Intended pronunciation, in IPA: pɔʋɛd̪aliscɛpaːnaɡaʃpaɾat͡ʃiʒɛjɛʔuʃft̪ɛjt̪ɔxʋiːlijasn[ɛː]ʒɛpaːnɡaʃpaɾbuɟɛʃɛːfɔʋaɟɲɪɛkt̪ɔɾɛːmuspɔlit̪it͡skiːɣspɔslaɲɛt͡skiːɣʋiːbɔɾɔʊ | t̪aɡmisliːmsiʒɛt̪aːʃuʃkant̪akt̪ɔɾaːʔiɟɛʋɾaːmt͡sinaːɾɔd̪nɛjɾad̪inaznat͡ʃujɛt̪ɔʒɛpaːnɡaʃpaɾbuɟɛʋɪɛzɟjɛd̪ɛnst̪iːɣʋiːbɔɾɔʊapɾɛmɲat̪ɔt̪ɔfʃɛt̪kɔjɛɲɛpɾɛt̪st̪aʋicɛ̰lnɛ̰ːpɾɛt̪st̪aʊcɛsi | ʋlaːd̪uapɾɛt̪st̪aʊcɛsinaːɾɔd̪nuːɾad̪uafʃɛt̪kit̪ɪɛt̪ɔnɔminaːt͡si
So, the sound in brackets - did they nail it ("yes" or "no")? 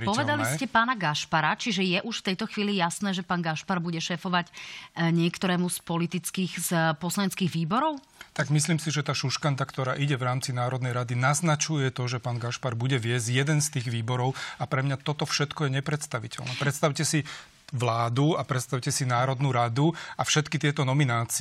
yes